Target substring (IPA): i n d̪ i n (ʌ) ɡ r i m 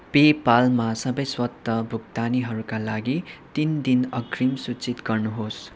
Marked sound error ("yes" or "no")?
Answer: no